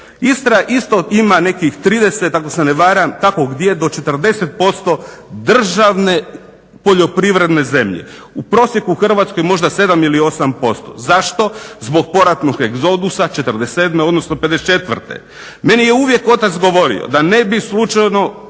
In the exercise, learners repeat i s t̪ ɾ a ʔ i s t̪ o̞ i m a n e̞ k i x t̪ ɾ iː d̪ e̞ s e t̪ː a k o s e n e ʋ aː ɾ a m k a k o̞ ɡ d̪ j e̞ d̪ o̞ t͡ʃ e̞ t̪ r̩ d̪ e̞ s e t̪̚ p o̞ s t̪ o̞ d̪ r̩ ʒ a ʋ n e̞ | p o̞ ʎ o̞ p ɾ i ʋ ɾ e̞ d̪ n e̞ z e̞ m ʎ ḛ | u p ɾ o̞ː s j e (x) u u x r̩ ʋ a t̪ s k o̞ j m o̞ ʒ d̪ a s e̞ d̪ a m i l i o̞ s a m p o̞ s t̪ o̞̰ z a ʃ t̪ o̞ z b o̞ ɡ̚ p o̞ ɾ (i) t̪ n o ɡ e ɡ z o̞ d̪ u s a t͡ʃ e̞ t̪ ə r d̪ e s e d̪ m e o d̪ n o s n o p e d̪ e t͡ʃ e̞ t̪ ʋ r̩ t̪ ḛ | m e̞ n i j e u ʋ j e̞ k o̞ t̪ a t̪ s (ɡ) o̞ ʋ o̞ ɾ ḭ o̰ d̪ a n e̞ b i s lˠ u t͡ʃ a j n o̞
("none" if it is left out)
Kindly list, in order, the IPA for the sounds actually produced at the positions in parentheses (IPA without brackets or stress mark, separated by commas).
k, a, ɡ